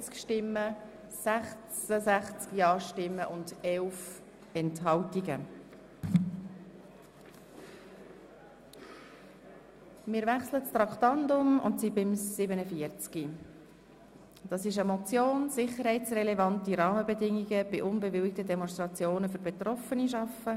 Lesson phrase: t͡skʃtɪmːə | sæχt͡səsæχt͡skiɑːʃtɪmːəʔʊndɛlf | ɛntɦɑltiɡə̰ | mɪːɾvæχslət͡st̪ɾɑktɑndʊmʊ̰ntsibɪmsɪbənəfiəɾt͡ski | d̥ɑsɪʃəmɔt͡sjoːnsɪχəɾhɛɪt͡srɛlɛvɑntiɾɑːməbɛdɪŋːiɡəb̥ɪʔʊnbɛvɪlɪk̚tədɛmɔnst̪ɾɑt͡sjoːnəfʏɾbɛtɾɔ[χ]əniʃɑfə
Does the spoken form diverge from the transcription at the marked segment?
yes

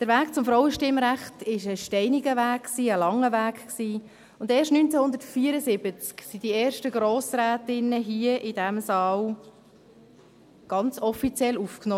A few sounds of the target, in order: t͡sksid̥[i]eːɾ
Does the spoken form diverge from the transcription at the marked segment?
no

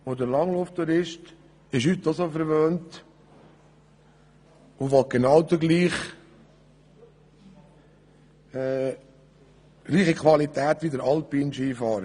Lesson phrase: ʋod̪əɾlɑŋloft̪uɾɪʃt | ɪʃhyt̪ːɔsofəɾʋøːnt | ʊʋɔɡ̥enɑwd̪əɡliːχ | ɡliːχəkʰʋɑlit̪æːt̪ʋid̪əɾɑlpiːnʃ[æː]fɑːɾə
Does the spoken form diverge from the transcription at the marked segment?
yes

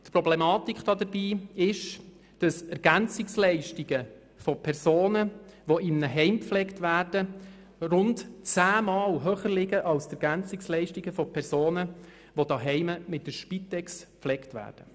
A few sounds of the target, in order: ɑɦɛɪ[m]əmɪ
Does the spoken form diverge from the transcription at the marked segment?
no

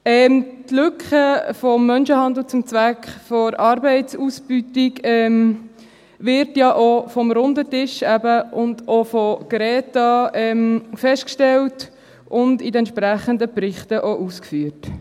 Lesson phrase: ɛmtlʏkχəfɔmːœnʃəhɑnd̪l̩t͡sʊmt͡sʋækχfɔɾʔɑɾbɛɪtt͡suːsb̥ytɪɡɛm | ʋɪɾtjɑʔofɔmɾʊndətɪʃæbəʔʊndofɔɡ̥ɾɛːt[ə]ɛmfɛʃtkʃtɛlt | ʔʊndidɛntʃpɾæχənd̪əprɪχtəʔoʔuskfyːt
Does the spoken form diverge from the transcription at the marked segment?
yes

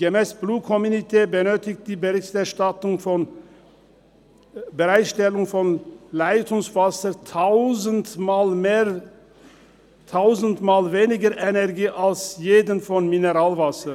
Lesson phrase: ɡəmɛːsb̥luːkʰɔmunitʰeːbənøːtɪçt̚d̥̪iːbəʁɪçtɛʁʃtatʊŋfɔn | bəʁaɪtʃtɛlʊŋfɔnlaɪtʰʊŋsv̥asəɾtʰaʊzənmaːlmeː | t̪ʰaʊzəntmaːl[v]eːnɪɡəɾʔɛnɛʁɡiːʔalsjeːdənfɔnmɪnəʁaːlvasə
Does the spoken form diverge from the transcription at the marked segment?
no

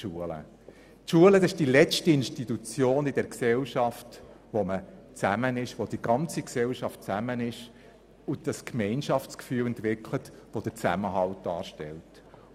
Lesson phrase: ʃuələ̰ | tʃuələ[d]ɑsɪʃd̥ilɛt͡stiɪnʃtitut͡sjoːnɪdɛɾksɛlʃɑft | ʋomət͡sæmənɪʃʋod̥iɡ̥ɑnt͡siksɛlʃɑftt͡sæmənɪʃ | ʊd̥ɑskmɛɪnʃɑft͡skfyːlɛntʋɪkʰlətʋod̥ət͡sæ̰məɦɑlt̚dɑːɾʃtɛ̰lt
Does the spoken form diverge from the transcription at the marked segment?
no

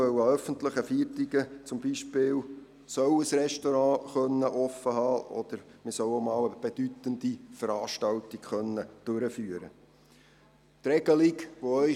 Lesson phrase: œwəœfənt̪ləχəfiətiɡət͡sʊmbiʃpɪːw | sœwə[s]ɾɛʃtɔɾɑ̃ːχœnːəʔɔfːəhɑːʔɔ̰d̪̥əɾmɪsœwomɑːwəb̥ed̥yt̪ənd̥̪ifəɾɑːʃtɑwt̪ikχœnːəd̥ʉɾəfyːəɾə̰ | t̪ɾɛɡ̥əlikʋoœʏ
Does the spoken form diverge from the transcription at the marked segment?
no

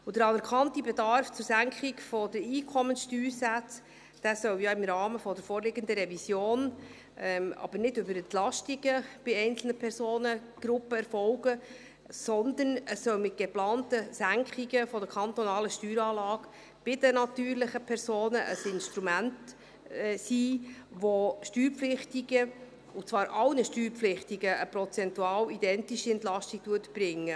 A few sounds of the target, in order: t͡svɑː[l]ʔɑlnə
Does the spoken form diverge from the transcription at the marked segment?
yes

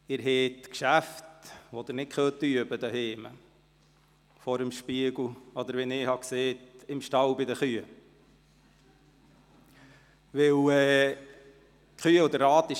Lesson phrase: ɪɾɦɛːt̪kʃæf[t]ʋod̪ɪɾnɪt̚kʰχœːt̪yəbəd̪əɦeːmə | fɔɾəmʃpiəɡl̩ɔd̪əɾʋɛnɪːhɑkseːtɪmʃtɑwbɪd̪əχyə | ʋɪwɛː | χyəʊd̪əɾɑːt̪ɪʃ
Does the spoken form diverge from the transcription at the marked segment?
no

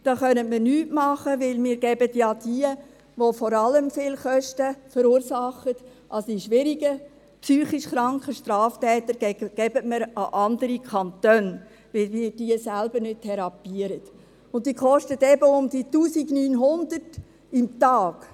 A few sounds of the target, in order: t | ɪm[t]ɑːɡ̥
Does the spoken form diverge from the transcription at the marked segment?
no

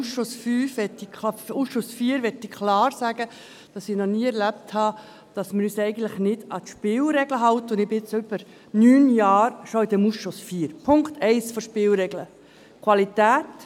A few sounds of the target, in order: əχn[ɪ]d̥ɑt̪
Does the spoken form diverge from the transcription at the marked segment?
no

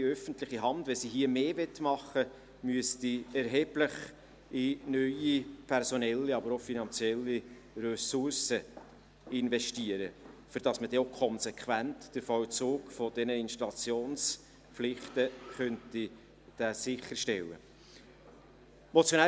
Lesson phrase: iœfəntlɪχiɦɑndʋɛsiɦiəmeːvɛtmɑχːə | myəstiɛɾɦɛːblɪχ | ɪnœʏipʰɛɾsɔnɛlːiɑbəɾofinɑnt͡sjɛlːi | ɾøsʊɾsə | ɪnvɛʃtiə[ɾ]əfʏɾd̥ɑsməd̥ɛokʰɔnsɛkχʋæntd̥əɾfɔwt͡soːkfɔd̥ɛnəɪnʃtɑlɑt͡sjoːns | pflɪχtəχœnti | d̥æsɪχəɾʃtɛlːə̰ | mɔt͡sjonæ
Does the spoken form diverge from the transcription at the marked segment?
no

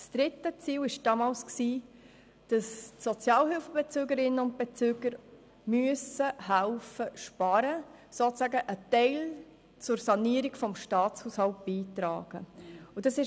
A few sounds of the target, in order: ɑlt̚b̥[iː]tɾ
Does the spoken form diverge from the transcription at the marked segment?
no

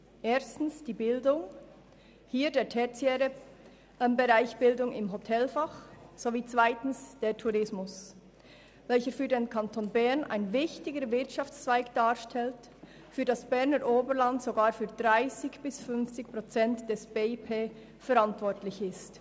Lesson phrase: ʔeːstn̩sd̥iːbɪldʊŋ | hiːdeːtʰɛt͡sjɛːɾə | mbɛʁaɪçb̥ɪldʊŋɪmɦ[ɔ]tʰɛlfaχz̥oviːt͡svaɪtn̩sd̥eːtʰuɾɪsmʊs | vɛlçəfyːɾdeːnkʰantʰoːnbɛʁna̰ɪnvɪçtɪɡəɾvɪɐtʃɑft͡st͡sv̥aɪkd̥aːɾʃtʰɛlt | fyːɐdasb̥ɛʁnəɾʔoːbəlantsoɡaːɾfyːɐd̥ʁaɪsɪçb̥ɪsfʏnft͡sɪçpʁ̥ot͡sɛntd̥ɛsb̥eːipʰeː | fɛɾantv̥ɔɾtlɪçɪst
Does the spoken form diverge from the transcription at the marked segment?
yes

